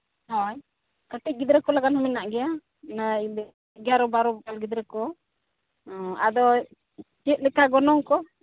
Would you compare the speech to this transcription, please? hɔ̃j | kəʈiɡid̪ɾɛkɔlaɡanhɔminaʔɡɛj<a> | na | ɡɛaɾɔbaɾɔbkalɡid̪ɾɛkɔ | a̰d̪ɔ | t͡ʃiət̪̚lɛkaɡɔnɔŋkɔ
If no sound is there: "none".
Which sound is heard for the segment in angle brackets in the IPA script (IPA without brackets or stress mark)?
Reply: a